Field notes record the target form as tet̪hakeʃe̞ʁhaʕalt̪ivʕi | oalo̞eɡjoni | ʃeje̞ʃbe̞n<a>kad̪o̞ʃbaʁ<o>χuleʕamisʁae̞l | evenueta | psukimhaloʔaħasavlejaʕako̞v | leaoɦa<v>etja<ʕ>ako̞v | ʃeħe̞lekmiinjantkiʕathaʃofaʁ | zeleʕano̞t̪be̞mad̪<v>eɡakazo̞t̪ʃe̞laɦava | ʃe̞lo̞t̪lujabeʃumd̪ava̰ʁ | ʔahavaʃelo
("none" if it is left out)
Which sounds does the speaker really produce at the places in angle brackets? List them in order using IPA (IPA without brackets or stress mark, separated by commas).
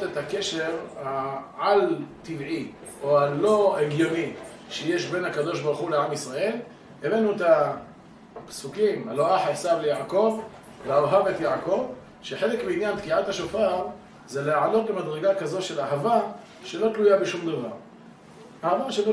a, u, v, ʕ, ʁ